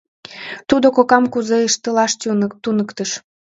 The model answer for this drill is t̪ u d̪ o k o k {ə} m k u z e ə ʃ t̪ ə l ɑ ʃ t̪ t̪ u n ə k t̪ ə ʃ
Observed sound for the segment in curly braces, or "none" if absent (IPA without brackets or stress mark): ɑ